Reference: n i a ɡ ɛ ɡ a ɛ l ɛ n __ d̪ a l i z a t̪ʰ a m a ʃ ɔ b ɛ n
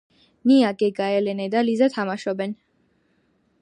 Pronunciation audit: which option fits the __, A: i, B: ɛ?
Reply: B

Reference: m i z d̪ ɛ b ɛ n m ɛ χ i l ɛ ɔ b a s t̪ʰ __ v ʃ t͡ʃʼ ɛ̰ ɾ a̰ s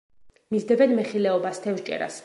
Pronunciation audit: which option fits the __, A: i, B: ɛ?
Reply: B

